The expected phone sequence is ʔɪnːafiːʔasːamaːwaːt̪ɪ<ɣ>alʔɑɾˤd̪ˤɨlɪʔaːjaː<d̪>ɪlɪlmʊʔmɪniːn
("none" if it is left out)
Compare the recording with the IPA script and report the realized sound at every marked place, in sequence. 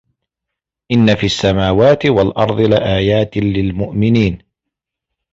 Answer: w, t̪

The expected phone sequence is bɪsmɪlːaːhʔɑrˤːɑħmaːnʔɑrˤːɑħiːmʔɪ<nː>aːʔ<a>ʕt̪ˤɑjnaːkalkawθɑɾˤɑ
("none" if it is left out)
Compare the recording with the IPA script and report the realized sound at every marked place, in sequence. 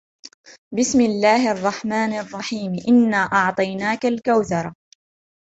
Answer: nː, ɑ

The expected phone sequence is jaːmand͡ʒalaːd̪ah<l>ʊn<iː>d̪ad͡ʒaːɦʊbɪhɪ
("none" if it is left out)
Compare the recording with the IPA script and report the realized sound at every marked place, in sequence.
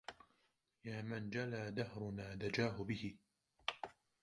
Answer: ɾ, aː

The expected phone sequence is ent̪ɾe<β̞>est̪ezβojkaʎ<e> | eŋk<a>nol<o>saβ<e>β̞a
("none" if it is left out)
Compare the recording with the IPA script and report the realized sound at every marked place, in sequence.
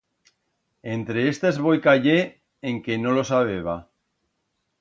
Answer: none, e, e, o, e

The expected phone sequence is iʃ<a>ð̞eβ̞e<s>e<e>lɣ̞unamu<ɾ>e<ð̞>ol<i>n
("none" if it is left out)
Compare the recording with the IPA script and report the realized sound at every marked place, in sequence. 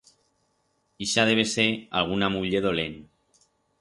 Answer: a, s, a, ʎ, ð̞, e

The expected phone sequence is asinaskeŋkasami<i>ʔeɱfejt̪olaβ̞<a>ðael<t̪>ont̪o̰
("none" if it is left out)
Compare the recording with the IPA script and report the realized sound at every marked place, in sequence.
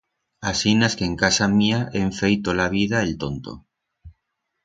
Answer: a, i, t̪

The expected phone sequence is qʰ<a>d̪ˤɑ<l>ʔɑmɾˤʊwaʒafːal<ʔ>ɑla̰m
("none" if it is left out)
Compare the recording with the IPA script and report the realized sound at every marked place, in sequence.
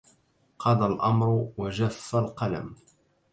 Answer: ɑ, l, q

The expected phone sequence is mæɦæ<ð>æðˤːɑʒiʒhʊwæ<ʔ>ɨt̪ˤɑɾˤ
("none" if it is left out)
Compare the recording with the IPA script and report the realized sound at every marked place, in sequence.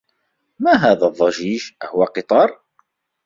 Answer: ð, q

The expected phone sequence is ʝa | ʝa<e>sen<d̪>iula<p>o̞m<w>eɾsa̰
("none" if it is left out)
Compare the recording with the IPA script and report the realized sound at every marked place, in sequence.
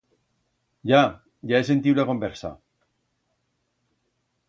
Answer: e, t̪, k, b

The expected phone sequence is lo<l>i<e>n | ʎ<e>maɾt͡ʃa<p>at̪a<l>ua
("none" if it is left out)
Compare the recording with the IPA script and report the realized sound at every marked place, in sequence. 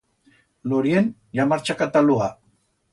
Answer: ɾ, e, a, k, l

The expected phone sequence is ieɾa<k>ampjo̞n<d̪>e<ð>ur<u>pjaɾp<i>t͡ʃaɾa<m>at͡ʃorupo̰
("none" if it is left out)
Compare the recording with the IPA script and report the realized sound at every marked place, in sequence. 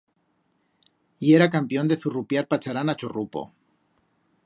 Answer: k, d̪, θ, u, a, n

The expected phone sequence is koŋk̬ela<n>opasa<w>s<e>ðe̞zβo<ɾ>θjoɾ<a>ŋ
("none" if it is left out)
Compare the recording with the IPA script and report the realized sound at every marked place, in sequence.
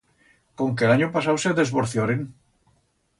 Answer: ɲ, w, e, ɾ, e

